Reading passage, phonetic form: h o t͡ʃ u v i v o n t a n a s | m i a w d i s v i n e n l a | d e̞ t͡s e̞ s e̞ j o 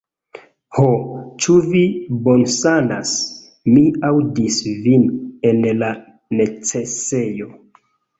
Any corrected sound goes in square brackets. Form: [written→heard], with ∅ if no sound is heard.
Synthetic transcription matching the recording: h o t͡ʃ u v i [v→b] o n [t→s] a n a s | m i a w d i s v i n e n l a | [d→n] e̞ t͡s e̞ s e̞ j o